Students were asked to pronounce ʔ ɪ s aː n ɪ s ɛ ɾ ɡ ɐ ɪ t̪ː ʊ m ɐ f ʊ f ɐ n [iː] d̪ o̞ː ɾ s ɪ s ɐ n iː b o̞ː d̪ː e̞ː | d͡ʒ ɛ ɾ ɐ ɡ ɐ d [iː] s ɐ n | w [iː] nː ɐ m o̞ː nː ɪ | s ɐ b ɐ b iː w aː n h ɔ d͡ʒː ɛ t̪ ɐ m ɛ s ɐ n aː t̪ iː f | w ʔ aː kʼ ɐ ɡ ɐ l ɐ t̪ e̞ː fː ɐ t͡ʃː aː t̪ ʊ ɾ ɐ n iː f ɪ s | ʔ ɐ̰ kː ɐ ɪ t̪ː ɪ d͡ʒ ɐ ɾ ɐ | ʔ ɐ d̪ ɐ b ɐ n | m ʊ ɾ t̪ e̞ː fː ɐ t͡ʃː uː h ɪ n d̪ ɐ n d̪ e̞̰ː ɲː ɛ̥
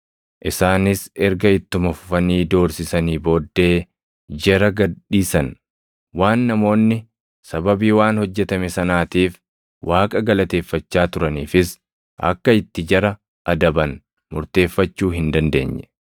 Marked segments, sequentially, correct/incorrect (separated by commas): correct, correct, incorrect